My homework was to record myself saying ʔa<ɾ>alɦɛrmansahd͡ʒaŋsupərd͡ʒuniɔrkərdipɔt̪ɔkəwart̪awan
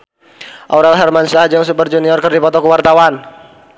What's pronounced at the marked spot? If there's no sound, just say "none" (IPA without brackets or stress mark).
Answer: ɾ